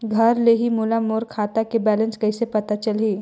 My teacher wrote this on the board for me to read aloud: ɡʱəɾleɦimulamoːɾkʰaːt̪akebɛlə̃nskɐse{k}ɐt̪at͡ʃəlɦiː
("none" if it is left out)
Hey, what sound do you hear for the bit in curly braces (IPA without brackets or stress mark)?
p